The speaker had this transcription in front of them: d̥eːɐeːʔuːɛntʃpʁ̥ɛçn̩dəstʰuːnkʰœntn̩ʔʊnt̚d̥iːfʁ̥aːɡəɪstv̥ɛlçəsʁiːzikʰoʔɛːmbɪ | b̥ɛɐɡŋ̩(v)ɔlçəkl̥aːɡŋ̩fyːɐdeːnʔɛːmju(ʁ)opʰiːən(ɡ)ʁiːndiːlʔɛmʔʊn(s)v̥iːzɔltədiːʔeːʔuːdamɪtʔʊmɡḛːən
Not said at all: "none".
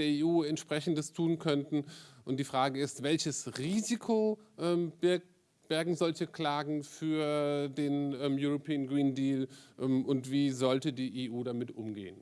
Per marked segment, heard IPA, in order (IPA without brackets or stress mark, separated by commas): z, ʁ, ɡ, t